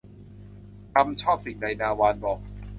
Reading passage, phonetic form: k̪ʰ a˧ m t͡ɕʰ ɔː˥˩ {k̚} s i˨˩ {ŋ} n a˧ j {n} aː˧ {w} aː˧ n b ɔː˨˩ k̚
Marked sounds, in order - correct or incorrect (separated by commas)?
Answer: incorrect, correct, correct, correct